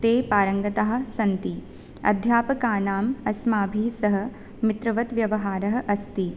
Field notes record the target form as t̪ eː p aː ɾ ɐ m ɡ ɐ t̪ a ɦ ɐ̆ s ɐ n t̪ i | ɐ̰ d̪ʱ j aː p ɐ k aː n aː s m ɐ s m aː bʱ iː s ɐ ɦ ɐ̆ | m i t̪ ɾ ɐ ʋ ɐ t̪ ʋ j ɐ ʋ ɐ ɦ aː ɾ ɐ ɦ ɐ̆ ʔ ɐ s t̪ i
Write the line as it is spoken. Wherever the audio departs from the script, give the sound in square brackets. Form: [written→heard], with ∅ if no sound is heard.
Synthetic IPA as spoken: t̪ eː p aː ɾ ɐ [m→ŋ] ɡ ɐ t̪ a ɦ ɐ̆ s ɐ n t̪ i | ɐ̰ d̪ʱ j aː p ɐ k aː n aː [s→∅] m ɐ s m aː bʱ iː s ɐ ɦ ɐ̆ | m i t̪ ɾ ɐ ʋ ɐ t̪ ʋ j ɐ ʋ ɐ ɦ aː ɾ ɐ ɦ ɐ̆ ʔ ɐ s t̪ i